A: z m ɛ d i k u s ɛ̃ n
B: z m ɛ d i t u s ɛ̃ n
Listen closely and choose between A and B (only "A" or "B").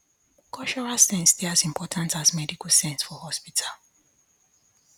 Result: A